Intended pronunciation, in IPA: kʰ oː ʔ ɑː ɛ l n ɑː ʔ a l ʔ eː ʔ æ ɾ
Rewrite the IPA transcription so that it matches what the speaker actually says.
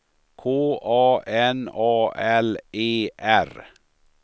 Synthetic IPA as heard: kʰ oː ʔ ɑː ɛ n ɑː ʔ ɛ l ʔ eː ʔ æ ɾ